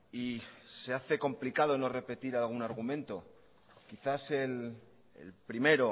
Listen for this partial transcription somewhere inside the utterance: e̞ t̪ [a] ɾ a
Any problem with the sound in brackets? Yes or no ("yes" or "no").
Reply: yes